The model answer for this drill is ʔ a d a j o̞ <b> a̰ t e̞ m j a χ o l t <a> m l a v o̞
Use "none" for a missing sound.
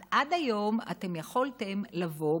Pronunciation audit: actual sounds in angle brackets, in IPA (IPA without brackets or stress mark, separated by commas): m, e